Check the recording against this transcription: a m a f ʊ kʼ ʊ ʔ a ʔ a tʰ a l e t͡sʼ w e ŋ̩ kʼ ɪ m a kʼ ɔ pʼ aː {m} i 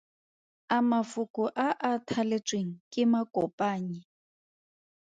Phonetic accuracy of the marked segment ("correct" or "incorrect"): incorrect